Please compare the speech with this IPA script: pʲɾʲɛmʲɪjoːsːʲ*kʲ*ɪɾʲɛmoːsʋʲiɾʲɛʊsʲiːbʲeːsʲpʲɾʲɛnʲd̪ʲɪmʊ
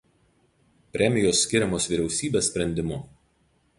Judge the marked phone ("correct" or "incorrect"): correct